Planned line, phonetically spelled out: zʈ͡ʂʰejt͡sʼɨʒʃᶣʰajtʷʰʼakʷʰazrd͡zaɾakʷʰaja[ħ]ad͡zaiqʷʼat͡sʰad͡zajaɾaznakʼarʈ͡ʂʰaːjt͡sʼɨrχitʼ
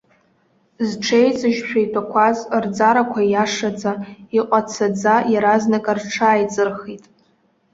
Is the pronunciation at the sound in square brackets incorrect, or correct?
incorrect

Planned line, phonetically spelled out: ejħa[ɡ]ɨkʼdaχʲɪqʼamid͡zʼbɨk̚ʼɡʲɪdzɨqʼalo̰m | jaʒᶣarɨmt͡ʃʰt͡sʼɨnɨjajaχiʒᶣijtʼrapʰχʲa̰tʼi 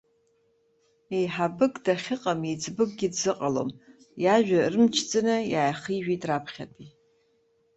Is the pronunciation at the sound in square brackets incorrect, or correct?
incorrect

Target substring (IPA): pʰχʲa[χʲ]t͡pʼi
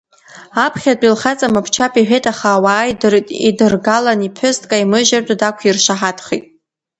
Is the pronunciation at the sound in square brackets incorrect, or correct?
incorrect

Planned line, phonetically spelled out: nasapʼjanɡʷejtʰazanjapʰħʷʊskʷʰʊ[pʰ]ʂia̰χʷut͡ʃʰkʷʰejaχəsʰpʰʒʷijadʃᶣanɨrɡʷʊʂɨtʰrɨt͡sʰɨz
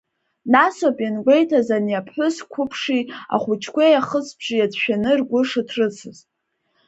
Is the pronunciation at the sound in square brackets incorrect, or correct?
correct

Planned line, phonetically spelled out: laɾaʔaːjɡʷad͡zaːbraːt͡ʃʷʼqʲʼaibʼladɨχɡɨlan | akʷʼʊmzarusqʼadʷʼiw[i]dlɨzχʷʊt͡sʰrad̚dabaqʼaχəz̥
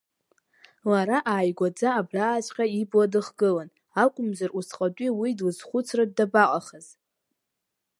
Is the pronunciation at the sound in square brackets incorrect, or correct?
correct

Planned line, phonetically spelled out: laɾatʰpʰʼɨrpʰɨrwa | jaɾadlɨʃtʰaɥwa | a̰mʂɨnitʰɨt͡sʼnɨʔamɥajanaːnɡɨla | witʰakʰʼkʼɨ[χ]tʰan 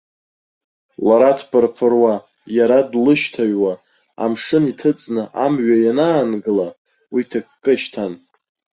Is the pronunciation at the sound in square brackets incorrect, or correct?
incorrect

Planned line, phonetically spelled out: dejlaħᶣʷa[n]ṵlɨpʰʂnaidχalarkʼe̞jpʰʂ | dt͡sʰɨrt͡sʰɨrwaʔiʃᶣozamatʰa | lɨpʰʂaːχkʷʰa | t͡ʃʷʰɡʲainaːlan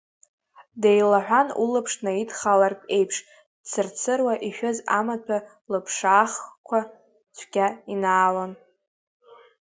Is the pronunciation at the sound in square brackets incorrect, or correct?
correct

